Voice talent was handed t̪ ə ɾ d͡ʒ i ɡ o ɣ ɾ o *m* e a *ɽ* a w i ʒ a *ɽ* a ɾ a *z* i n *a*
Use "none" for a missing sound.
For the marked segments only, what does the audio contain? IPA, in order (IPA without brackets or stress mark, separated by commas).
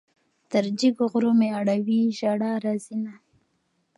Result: m, ɽ, ɽ, z, a